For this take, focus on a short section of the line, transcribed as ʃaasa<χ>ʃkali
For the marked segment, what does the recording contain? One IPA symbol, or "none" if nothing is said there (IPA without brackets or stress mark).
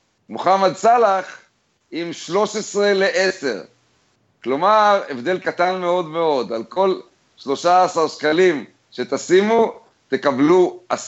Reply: ʁ